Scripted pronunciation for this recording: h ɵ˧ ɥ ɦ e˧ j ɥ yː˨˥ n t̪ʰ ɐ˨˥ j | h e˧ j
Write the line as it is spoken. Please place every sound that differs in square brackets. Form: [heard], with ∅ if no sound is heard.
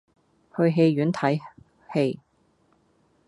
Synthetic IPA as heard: h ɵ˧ ɥ ɦ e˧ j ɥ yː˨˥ n t̪ʰ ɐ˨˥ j | h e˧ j